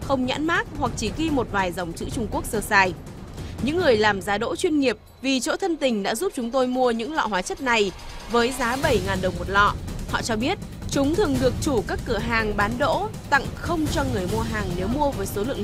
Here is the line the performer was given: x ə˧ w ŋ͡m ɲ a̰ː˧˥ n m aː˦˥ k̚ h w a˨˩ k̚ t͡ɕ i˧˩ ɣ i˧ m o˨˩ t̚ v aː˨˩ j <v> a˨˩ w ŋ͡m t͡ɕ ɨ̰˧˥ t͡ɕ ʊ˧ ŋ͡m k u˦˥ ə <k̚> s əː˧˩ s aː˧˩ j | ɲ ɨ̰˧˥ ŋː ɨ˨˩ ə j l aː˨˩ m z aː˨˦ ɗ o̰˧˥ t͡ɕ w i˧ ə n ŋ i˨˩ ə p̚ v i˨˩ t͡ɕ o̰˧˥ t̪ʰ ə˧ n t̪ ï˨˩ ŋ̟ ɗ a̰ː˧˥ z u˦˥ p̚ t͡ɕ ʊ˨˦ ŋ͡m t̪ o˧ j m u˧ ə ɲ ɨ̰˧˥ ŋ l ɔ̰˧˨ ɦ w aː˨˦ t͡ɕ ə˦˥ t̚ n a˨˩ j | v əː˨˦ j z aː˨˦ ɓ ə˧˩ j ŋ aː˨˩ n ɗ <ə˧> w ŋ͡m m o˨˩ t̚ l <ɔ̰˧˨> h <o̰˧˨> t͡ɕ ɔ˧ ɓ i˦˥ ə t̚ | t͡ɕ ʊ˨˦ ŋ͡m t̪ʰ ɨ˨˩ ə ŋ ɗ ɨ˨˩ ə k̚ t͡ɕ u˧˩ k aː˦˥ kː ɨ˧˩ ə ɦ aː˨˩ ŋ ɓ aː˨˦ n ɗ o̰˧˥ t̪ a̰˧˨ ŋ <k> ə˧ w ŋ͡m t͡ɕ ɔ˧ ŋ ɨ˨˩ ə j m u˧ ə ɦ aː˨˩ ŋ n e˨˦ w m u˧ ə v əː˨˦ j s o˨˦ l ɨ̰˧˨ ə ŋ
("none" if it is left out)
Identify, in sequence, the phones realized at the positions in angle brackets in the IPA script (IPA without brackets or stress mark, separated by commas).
z, k̚, ə˨˩, ɔ̰˧˨, ɔ̰˧˨, x